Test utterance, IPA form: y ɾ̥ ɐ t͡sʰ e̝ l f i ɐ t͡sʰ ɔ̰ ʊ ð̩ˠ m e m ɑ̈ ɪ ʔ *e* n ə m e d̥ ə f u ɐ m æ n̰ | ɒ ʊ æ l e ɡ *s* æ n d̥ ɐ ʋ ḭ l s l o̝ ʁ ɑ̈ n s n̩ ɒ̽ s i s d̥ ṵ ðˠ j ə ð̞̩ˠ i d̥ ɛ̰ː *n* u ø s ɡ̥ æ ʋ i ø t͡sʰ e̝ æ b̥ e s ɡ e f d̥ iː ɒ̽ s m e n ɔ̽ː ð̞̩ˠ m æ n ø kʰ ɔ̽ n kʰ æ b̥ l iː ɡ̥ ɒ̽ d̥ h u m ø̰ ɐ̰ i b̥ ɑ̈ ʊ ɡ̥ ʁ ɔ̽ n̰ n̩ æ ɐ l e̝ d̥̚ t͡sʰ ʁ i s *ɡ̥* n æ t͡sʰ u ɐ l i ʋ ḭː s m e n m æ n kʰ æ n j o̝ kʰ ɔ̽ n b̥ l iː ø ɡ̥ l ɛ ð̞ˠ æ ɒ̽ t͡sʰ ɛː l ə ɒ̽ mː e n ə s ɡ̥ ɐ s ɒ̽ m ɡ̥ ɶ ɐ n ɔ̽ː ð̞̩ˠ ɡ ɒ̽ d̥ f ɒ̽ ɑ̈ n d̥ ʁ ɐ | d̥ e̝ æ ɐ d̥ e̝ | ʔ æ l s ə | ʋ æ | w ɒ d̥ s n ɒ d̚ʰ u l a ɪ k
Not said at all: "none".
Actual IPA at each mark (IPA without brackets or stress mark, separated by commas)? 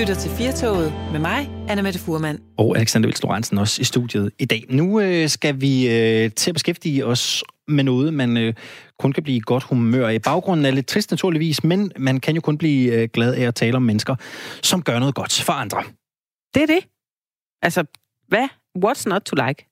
æ, s, n, d̥